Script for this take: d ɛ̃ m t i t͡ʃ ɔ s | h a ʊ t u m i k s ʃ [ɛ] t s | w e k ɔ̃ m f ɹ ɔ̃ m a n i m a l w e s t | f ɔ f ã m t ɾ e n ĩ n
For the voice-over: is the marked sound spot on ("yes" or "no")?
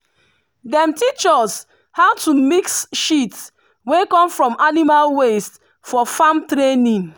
no